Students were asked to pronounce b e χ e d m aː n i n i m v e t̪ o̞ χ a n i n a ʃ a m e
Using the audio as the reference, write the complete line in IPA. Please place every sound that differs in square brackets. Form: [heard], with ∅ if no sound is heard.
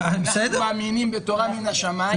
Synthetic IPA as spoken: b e [s] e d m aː [m] i n i m [b] e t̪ o̞ [ʁ] a [m] i n a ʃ a m [a]